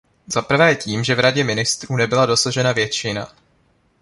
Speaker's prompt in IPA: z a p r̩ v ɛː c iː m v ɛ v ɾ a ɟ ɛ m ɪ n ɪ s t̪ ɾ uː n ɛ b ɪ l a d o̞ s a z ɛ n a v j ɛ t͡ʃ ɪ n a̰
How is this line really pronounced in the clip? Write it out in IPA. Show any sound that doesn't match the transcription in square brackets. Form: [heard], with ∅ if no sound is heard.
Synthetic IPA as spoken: z a p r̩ v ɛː c iː m [ʒ] ɛ v ɾ a ɟ ɛ m ɪ n ɪ s t̪ ɾ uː n ɛ b ɪ l a d o̞ s a [ʒ] ɛ n a v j ɛ t͡ʃ ɪ n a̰